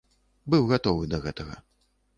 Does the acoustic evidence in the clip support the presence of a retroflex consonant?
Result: no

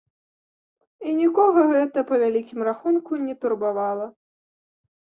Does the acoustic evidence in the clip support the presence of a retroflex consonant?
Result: no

